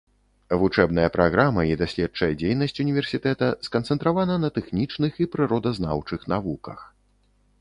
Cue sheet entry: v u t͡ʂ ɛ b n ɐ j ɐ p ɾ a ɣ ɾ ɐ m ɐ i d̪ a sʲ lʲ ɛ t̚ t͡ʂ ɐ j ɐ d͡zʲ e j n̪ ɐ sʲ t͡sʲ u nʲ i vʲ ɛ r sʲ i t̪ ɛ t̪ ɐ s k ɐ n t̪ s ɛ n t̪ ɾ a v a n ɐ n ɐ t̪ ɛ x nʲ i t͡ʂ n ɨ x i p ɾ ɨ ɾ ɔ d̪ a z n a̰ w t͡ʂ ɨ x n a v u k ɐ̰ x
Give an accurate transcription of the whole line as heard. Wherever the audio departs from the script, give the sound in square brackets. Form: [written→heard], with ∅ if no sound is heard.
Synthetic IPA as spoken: v u t͡ʂ ɛ b n ɐ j ɐ p ɾ a ɣ ɾ [ɐ→a] m ɐ i d̪ a sʲ lʲ ɛ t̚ t͡ʂ ɐ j ɐ d͡zʲ e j n̪ ɐ sʲ t͡sʲ u nʲ i vʲ ɛ r sʲ i t̪ ɛ t̪ ɐ s k ɐ n t̪ s ɛ n t̪ ɾ a v a n ɐ n ɐ t̪ ɛ x nʲ i t͡ʂ n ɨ x i p ɾ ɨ ɾ ɔ d̪ [a→ɐ] z n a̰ w t͡ʂ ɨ x n a v u k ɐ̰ x